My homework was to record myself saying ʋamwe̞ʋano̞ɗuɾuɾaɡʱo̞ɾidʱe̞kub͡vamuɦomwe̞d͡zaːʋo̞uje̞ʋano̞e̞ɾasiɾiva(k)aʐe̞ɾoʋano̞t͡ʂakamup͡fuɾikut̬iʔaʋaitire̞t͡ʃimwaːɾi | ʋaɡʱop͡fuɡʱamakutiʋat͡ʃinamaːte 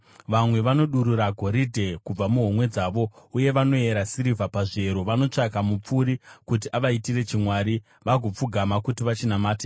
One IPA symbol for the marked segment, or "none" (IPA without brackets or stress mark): p